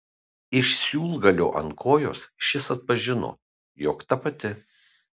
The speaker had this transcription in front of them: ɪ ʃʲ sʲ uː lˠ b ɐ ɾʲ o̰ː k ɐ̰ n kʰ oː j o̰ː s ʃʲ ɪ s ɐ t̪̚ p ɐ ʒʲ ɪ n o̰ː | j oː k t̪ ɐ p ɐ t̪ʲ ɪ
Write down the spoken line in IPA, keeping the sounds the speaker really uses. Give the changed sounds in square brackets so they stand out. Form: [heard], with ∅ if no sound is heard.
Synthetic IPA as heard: ɪ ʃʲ sʲ uː lˠ [ɡ] ɐ [lʲ] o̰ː [ʔ] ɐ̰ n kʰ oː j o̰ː s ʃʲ ɪ s ɐ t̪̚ p ɐ ʒʲ ɪ n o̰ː | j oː k t̪ ɐ p ɐ t̪ʲ ɪ